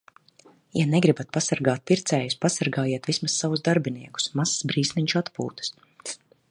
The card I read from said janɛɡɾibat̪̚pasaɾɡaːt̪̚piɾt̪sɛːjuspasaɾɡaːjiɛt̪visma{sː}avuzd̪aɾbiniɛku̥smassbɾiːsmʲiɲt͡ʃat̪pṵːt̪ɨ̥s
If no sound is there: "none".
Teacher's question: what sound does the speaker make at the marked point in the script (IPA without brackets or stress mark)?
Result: sː